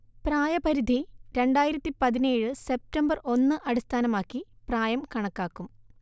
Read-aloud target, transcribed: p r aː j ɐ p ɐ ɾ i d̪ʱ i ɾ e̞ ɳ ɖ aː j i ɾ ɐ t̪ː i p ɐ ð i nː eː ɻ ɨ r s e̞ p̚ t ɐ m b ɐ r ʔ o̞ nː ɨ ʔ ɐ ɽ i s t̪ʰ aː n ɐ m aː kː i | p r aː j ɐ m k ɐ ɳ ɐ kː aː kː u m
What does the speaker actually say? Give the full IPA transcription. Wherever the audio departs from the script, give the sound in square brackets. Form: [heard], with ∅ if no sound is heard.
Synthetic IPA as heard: p r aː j ɐ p ɐ ɾ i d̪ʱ i ɾ e̞ ɳ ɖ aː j i ɾ ɐ t̪ː i p ɐ ð i [n] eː ɻ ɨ [∅] s e̞ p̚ t ɐ m b ɐ r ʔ o̞ nː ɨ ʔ ɐ ɽ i s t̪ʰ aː n ɐ m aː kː i | p r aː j ɐ m k ɐ ɳ ɐ kː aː kː u m

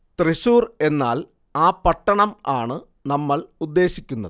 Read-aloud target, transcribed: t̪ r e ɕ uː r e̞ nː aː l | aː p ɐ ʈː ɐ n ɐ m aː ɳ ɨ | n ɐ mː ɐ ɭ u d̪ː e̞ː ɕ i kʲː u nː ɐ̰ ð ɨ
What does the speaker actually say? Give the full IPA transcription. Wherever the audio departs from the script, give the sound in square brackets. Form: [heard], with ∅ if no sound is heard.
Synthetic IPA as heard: t̪ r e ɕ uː r e̞ nː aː l | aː p ɐ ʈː ɐ [ɳ] ɐ m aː ɳ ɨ | n ɐ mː ɐ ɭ u d̪ː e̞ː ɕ i kʲː u nː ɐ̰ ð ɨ

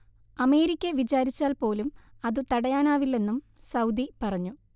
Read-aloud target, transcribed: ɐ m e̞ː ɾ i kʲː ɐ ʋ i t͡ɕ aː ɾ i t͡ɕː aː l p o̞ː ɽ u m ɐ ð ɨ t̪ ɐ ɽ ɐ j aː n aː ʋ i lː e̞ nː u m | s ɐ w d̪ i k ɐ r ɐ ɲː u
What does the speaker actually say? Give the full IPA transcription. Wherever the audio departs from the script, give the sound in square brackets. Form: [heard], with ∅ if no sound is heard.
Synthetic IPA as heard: ɐ m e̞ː ɾ i kʲː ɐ ʋ i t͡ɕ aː ɾ i t͡ɕː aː l p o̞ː [l] u m ɐ ð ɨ t̪ ɐ ɽ ɐ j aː n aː ʋ i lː e̞ nː u m | s ɐ w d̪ i [p] ɐ r ɐ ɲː u

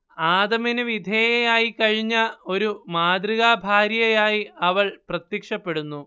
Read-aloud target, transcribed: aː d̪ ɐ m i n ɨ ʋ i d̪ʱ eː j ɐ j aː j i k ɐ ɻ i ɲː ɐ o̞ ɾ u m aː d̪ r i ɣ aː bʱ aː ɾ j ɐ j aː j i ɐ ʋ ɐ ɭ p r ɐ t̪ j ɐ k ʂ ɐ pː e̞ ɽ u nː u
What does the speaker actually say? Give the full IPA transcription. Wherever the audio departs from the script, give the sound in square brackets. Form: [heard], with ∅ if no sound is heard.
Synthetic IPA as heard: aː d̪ ɐ m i n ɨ ʋ i d̪ʱ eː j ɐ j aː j i k ɐ ɻ i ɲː ɐ o̞ ɾ u m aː d̪ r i ɣ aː bʱ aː ɾ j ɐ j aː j i ɐ ʋ ɐ ɭ p r ɐ t̪ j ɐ k ʂ ɐ pː e̞ ɽ u nː u

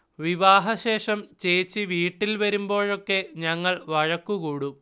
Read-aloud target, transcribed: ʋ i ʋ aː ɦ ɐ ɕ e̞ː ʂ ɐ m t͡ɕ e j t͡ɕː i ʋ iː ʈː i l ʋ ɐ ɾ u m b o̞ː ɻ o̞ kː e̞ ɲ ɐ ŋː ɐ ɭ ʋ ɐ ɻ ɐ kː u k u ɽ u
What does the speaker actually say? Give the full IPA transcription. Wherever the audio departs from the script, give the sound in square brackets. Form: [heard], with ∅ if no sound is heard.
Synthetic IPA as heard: ʋ i ʋ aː ɦ ɐ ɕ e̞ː ʂ ɐ m t͡ɕ e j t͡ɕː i ʋ iː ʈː i l ʋ ɐ ɾ u m b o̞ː ɻ o̞ kː e̞ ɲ ɐ ŋː ɐ ɭ ʋ ɐ ɻ ɐ kː u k [uː] ɽ u

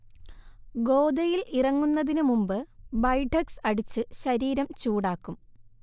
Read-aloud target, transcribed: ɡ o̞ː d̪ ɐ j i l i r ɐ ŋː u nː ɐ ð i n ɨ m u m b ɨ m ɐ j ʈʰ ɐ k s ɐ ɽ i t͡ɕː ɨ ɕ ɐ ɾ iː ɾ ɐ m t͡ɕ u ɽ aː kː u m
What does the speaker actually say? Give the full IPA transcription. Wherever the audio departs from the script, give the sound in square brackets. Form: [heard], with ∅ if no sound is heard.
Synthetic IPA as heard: ɡ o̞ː d̪ ɐ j i l i r ɐ ŋː u nː ɐ ð i n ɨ m u m b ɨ [b] ɐ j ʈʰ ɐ k s ɐ ɽ i t͡ɕː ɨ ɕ ɐ ɾ iː ɾ ɐ m t͡ɕ [uː] ɽ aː kː u m

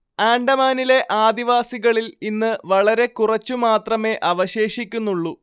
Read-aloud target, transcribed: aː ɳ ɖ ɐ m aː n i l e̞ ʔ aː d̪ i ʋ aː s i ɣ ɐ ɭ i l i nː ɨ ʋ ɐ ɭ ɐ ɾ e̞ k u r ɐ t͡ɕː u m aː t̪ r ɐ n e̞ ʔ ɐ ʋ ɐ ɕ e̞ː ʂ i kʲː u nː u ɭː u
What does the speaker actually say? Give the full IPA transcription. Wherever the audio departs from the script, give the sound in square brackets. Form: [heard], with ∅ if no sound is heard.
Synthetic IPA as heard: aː ɳ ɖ ɐ m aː n i l e̞ ʔ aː d̪ i ʋ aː s i ɣ ɐ ɭ i l i nː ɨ ʋ ɐ ɭ ɐ ɾ e̞ k u r ɐ t͡ɕː u m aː t̪ r ɐ [m] e̞ ʔ ɐ ʋ ɐ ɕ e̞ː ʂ i kʲː u nː u ɭː u

